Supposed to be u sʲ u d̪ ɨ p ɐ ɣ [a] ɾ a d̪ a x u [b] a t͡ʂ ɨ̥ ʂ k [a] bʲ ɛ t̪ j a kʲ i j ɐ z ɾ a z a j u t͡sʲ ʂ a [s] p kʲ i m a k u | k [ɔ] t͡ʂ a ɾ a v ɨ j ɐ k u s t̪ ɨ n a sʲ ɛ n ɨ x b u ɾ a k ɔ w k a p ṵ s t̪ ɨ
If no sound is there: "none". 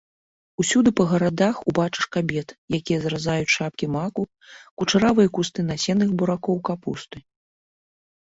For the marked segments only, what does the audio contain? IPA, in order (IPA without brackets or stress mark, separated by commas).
ɐ, b, a, none, u